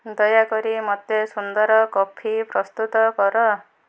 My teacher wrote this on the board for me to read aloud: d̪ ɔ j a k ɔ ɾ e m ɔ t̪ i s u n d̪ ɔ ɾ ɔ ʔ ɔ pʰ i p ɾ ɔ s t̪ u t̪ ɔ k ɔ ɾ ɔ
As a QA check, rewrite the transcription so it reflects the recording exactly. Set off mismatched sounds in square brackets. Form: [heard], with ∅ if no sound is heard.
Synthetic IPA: d̪ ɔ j a k ɔ ɾ [i] m ɔ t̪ [e] s u n d̪ ɔ ɾ ɔ [k] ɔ pʰ i p ɾ ɔ s t̪ u t̪ ɔ k ɔ ɾ ɔ

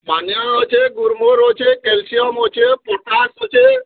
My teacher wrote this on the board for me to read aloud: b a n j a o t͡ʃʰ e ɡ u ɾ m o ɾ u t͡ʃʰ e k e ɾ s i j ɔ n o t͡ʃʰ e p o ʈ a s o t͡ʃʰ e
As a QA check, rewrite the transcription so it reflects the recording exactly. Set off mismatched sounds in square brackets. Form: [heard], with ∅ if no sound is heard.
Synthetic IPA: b a n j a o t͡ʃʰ e ɡ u ɾ m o ɾ [o] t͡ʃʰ e k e [l] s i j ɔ [m] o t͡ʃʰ e p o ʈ a s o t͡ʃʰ e

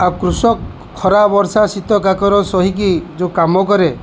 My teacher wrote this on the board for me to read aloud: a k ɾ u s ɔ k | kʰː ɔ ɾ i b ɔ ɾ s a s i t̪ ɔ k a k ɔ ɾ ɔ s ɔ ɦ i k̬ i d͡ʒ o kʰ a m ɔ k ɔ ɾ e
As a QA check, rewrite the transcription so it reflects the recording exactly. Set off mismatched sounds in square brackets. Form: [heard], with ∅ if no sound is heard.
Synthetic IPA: a k ɾ u s ɔ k | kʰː ɔ ɾ [a] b ɔ ɾ s a s i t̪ ɔ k a k ɔ ɾ ɔ s ɔ ɦ i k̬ i d͡ʒ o [k] a m ɔ k ɔ ɾ e

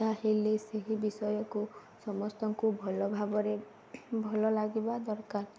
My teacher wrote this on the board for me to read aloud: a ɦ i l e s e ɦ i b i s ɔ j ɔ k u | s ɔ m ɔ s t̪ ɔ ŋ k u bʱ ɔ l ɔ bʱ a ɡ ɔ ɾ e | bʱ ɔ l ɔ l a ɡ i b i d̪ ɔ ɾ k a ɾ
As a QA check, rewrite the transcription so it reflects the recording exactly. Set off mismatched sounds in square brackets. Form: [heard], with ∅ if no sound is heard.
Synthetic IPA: a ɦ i l e s e ɦ i b i s ɔ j ɔ k u | s ɔ m ɔ s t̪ ɔ ŋ k u bʱ ɔ l ɔ bʱ a [b] ɔ ɾ e | bʱ ɔ l ɔ l a ɡ i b [a] d̪ ɔ ɾ k a ɾ

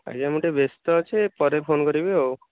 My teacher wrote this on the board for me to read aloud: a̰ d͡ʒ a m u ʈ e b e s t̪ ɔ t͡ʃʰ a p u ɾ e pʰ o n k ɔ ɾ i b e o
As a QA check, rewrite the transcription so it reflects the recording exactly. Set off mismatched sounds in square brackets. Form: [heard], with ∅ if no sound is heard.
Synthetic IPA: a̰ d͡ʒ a m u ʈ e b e s t̪ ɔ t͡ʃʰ [e] p [ɔ] ɾ e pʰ o n k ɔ ɾ i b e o

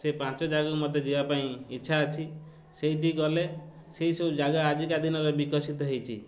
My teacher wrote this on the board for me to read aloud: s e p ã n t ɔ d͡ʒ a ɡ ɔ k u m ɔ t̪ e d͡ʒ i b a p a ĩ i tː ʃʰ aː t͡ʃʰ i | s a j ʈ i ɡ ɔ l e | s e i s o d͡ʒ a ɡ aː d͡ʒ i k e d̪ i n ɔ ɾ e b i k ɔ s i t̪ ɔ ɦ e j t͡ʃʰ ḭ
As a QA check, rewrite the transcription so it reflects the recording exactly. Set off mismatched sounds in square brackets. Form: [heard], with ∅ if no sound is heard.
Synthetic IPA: s e p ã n [t͡ʃ] ɔ d͡ʒ a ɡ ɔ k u m ɔ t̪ e d͡ʒ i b a p a ĩ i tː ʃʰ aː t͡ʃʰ i | s [e] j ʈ i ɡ ɔ l e | s e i s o d͡ʒ a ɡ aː d͡ʒ i k [a] d̪ i n ɔ ɾ e b i k ɔ s i t̪ ɔ ɦ e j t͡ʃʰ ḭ

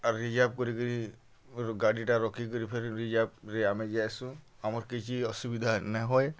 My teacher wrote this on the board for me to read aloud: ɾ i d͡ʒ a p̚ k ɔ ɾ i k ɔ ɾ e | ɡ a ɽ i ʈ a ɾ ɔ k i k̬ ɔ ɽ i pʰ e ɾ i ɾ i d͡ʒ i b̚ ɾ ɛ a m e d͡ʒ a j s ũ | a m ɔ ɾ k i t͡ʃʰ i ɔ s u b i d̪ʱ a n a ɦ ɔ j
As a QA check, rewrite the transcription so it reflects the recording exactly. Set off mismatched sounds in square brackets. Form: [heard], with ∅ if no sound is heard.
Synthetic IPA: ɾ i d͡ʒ a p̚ k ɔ ɾ i k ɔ ɾ [i] | ɡ a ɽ i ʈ a ɾ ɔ k i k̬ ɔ [ɾ] i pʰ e ɾ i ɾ i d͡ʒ [a] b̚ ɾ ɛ a m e d͡ʒ a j s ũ | a m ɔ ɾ k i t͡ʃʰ i ɔ s u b i d̪ʱ a n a ɦ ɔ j

